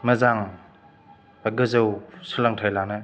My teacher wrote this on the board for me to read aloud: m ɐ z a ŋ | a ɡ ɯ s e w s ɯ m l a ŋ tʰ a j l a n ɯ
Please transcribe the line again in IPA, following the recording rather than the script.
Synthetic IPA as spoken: m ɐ z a ŋ | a ɡ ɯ z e w s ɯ l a ŋ tʰ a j l a n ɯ